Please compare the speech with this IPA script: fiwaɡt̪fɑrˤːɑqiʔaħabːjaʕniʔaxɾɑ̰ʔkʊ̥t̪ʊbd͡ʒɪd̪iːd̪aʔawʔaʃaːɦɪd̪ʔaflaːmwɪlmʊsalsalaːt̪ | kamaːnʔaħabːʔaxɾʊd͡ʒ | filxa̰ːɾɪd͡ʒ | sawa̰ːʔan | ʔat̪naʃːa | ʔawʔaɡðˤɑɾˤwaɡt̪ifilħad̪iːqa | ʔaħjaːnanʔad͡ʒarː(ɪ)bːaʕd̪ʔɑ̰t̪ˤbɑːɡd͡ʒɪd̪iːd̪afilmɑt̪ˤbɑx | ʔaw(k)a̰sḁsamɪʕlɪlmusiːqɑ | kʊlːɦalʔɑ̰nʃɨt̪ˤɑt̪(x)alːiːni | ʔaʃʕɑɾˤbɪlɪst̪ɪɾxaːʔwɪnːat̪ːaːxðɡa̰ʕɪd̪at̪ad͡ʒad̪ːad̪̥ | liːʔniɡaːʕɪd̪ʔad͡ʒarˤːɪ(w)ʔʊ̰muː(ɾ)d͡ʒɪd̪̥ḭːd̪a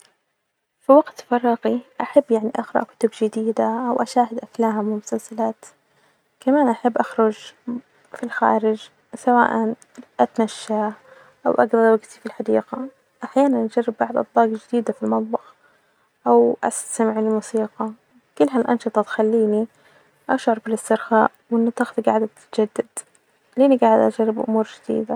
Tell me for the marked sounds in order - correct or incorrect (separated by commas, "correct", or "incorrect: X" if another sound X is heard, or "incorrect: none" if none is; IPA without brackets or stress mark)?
correct, incorrect: ʔ, correct, incorrect: b, correct